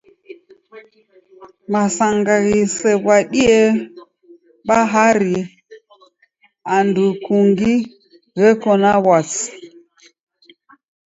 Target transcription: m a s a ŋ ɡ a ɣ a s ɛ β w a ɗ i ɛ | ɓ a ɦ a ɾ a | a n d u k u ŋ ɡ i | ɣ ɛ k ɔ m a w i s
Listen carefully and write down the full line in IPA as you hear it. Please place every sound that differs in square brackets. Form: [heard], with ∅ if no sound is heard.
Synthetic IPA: m a s a ŋ ɡ a ɣ [i] s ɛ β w a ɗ i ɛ | ɓ a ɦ a ɾ [i] | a n d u k u ŋ ɡ i | ɣ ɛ k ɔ [n] a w [a] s